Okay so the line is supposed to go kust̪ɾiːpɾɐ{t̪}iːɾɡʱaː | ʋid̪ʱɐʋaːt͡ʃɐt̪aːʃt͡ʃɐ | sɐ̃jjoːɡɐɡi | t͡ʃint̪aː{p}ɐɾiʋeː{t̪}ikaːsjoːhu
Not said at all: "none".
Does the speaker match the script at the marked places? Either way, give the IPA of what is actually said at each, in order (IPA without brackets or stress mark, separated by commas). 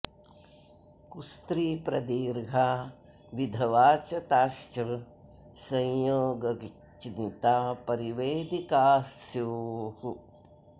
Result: d̪, p, d̪